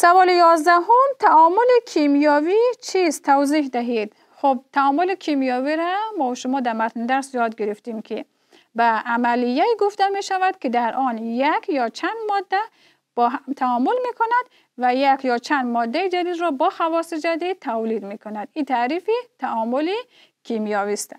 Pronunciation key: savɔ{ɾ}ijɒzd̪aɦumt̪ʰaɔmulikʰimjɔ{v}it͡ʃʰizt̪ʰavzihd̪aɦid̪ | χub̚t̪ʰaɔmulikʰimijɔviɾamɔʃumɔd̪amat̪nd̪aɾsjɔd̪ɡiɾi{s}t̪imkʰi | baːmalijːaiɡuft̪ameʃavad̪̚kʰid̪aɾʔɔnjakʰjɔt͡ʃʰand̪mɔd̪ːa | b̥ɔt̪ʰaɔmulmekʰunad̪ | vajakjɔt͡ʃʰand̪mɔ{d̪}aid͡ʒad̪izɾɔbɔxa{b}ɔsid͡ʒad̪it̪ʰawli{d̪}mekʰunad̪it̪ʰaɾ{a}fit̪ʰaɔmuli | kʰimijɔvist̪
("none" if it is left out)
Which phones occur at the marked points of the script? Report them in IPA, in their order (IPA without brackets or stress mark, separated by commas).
l, v, f, d̪ː, v, d̪, i